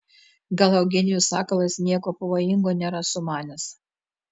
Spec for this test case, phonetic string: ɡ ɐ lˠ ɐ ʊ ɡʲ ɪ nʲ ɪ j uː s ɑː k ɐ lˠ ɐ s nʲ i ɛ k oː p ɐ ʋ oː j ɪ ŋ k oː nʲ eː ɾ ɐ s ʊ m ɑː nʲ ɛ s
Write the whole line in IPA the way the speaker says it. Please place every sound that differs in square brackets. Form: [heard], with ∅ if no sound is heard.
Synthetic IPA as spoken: ɡ ɐ lˠ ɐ ʊ ɡʲ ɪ nʲ ɪ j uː s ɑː k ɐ lˠ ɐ s nʲ i ɛ k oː p ɐ ʋ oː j ɪ ŋ [ɡ] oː nʲ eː ɾ ɐ s ʊ m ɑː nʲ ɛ s